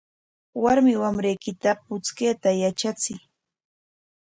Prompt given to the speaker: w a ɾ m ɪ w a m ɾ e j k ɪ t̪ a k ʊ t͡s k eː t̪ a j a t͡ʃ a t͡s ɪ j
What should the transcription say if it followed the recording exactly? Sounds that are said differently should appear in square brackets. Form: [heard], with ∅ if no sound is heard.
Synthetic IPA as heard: w a ɾ m ɪ w a m ɾ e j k ɪ t̪ a [p] ʊ t͡s k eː t̪ a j a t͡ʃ a t͡s ɪ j